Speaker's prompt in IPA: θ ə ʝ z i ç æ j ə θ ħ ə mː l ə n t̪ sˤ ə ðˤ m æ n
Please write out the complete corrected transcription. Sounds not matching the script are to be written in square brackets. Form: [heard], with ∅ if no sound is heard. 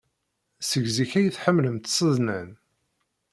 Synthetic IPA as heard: [s] ə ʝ z i ç æ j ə θ ħ ə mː l ə [m] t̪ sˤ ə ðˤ [n] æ n